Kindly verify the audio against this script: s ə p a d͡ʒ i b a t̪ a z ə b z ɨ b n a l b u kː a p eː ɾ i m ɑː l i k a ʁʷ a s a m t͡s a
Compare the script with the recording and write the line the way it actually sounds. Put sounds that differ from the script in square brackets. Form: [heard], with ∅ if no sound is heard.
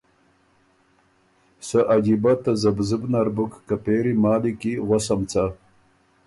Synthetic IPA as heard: s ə [ʔ] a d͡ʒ i b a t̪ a z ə b z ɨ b n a [ɾ] b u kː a p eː ɾ i m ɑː l i k [i] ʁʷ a s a m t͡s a

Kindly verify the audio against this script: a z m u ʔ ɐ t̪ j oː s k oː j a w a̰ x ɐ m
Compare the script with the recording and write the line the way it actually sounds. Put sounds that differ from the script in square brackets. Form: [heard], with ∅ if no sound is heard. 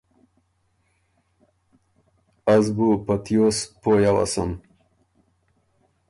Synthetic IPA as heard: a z [b] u [p] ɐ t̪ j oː s [p] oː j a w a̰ [s] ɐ m

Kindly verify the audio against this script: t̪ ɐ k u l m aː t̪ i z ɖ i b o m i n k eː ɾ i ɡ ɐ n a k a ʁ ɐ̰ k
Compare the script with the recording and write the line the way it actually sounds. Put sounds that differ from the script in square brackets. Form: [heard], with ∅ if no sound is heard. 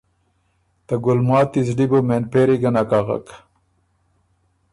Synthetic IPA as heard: t̪ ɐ [ɡ] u l m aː t̪ i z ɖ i b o m [e] n [p] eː ɾ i ɡ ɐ n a k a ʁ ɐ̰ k

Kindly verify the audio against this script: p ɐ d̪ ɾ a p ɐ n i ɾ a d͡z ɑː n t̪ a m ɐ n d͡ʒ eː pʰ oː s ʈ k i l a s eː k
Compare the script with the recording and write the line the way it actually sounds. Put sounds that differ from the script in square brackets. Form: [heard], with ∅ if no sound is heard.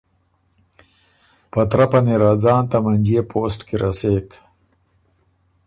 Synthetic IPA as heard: p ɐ [t̪] ɾ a p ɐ n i ɾ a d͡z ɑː n t̪ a m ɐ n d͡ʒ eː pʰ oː s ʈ k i [ɾ] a s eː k

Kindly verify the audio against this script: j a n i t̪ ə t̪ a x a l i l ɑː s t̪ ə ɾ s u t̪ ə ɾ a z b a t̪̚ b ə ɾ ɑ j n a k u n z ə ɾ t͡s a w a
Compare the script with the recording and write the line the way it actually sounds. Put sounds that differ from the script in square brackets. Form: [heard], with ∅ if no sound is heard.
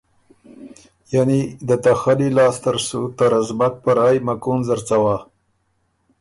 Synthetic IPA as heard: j a n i [d̪] ə t̪ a x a l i l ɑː s t̪ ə ɾ s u t̪ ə ɾ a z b a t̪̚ [p] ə ɾ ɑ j [m] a k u n z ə ɾ t͡s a w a

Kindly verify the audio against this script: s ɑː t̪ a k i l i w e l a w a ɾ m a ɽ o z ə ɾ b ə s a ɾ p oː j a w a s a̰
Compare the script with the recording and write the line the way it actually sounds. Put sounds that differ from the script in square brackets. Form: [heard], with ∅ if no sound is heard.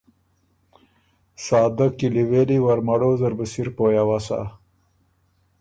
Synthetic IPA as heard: s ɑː [d̪] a k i l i w e l [i] w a ɾ m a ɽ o z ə ɾ b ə s [i] ɾ p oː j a w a s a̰

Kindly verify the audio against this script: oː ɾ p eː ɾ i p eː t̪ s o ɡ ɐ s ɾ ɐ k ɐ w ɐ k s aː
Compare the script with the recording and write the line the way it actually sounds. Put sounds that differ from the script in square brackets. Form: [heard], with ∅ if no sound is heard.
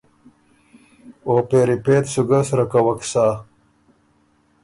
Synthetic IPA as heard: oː [∅] p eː ɾ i p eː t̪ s [u] ɡ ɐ s ɾ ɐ k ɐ w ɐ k s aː

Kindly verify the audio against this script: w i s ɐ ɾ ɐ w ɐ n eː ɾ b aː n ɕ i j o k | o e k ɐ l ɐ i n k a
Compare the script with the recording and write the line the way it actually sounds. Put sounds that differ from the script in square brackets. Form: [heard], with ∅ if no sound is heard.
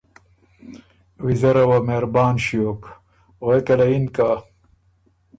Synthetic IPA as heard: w i [z] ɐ ɾ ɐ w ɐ [m] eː ɾ b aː n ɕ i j o k | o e k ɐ l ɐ i n k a

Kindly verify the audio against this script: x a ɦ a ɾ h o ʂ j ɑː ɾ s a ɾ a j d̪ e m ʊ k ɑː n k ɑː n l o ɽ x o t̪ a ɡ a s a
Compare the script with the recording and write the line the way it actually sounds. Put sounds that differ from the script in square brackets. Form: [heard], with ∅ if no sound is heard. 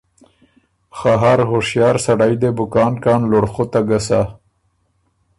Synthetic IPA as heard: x a ɦ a ɾ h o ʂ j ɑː ɾ s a [ɽ] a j d̪ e [b] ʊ k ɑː n k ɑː n l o ɽ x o t̪ a ɡ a s a

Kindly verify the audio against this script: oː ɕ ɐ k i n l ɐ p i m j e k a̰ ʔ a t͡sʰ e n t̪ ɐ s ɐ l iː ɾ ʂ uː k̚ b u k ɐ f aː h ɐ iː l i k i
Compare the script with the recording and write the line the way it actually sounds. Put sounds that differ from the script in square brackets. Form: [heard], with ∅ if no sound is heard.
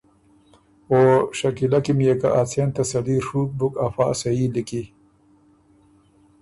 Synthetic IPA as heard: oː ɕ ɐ k i [∅] l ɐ [k] i m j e k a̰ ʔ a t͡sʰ e n t̪ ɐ s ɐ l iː ɾ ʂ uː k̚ b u k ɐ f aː [s] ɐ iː l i k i

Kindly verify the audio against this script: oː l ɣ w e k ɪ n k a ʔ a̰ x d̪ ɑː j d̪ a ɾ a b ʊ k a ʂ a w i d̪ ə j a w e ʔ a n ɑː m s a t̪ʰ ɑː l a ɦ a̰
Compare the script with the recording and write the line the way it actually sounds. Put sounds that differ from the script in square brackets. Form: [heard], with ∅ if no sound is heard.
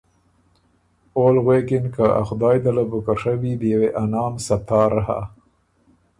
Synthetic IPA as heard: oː l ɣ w e k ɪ n k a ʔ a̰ x d̪ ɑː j d̪ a [l] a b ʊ k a ʂ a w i d̪ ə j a w e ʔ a n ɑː m s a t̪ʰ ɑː [ɾ] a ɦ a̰

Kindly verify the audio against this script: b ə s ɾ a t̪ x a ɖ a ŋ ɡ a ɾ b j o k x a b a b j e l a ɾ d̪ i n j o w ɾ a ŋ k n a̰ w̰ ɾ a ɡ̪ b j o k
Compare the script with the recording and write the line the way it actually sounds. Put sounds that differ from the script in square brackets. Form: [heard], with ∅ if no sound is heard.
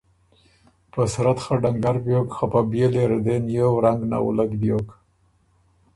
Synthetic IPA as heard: [p] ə s ɾ a t̪ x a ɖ a ŋ ɡ a ɾ b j o k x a [p] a b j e l [e] ɾ d̪ [e] n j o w ɾ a ŋ [ɡ] n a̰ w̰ [l] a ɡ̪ b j o k

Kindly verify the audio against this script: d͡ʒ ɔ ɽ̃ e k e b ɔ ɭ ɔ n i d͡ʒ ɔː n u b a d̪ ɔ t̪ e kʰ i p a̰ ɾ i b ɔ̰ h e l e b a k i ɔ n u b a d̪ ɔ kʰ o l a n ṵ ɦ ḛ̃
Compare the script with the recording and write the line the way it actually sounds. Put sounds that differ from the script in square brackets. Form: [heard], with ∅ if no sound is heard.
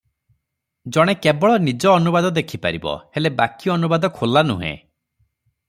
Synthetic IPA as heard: d͡ʒ ɔ ɽ̃ e k e b ɔ ɭ ɔ n i d͡ʒ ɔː n u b a d̪ ɔ [d̪] e kʰ i p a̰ ɾ i b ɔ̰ h e l e b a k i ɔ n u b a d̪ ɔ kʰ o l a n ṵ ɦ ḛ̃

